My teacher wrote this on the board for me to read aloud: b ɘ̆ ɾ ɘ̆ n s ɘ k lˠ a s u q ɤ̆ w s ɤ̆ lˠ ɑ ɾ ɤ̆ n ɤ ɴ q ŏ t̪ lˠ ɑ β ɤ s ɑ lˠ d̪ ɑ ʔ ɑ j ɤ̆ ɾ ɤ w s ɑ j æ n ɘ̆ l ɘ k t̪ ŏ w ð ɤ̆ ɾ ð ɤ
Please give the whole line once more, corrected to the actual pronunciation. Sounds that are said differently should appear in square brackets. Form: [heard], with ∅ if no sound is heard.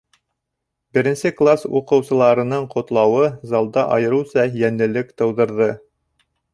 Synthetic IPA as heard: b ɘ̆ ɾ ɘ̆ n s ɘ k lˠ a s u q ɤ̆ w s ɤ̆ lˠ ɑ ɾ ɤ̆ n ɤ ɴ q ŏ t̪ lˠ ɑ [w] ɤ [z] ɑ lˠ d̪ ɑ ʔ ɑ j ɤ̆ ɾ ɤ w s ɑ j æ n ɘ̆ l ɘ k t̪ [ɤ̆] w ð ɤ̆ ɾ ð ɤ